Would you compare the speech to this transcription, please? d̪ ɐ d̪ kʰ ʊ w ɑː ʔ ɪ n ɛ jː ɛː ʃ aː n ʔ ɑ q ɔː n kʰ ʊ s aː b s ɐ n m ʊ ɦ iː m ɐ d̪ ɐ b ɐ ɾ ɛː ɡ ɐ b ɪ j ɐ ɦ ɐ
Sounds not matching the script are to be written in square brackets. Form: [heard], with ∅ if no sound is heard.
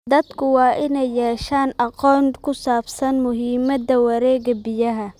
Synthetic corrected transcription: d̪ ɐ d̪ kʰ ʊ w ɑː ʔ ɪ n ɛ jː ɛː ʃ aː n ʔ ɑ q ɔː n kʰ ʊ s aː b s ɐ n m ʊ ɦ iː m ɐ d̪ ɐ [w] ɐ ɾ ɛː ɡ ɐ b ɪ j ɐ ɦ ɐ